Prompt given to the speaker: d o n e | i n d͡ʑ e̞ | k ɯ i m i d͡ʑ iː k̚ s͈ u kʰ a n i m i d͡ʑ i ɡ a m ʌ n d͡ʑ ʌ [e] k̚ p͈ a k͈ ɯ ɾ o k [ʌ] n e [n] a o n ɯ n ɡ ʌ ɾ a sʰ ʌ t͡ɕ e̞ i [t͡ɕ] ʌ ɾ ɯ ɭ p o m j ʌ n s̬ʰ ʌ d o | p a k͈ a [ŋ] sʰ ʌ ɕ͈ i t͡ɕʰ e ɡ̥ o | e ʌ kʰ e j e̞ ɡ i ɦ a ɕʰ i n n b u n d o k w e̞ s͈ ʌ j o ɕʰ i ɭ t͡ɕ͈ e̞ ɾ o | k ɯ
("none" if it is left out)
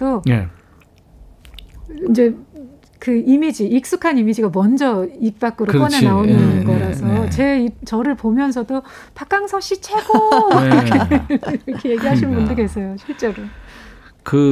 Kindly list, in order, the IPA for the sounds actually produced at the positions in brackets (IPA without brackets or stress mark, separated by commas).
i, ʌ, n, t͡ɕ, ŋ